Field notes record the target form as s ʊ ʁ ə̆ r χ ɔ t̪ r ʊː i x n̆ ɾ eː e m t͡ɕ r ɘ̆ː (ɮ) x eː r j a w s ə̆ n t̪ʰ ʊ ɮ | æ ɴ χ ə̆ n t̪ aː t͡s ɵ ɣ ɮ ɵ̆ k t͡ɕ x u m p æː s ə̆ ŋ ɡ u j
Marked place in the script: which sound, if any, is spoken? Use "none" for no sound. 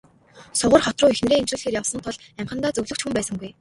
ɮ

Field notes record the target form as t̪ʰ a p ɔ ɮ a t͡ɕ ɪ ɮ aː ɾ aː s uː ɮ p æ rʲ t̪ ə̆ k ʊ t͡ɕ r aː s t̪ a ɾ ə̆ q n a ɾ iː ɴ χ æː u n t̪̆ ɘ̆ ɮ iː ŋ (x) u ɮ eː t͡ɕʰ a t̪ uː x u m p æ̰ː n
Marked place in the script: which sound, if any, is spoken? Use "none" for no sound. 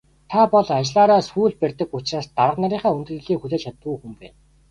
x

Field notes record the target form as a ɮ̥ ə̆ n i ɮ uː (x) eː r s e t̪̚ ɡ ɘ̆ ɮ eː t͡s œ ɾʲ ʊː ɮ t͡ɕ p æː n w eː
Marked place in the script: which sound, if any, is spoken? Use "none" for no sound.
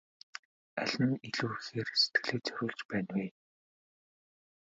x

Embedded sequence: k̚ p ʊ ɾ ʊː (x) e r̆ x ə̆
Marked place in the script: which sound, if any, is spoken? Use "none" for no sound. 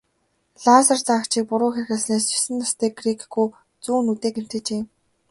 x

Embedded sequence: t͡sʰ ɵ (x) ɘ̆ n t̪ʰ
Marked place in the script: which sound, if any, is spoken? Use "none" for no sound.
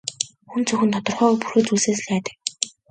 x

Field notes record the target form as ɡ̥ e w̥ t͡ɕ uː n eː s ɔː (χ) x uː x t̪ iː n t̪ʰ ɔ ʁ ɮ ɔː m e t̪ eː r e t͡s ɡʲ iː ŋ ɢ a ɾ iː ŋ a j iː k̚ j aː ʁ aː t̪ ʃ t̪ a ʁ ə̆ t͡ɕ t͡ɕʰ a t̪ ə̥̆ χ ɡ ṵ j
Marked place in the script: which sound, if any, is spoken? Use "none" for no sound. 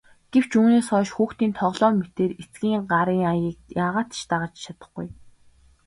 ʃ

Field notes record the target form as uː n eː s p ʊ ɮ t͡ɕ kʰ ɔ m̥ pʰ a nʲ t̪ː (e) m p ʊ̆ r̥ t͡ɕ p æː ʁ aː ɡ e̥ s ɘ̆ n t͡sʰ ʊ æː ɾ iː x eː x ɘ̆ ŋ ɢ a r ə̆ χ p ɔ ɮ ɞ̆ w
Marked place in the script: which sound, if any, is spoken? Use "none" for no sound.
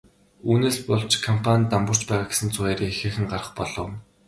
a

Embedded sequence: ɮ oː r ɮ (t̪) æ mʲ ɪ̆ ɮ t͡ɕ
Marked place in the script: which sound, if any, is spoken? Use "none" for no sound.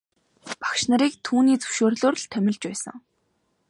t̪ʰ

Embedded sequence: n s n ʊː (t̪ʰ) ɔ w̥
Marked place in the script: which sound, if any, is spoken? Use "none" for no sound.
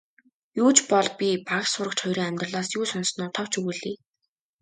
t̪ʰ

